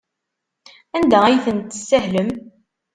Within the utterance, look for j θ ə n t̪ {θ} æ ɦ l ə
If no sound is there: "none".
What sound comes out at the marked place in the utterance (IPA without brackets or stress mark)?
s